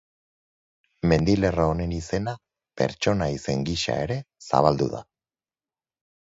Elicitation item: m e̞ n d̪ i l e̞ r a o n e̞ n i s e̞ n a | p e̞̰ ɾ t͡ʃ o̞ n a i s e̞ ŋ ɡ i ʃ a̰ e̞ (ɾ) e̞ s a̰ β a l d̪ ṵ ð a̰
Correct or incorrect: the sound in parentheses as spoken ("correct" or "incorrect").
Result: correct